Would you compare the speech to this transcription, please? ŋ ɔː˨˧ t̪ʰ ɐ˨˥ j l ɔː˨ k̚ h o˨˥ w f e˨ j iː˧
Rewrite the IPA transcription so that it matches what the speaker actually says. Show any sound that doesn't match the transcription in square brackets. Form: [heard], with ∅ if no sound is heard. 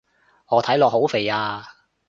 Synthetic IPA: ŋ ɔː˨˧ t̪ʰ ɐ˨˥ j l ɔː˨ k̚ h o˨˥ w f e˨ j [aː˧]